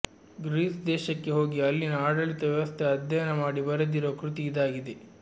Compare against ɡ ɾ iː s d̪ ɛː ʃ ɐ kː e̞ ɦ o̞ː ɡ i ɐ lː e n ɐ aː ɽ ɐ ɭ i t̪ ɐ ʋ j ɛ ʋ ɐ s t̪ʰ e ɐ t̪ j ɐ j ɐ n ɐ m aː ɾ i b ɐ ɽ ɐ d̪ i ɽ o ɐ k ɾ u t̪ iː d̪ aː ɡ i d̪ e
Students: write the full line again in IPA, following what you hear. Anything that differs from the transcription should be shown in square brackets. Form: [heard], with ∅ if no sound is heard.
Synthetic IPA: ɡ ɾ iː s d̪ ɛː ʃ ɐ kː e̞ ɦ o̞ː ɡ i ɐ lː [i] n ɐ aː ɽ ɐ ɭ i t̪ ɐ ʋ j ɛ ʋ ɐ s t̪ʰ e ɐ [d̪] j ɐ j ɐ n ɐ m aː [ɽ] i b ɐ [ɾ] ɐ d̪ i [ɾ] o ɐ k ɾ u t̪ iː d̪ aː ɡ i d̪ e